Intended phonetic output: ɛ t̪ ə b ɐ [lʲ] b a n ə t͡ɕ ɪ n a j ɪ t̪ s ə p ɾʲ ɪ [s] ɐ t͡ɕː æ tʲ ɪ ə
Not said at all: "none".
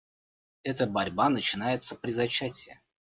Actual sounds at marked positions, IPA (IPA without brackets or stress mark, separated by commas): ɾʲ, z